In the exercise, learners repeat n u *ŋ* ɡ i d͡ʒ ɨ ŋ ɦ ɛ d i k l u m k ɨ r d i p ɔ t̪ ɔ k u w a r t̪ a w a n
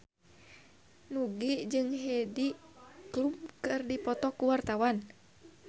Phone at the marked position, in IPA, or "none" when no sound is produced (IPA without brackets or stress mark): none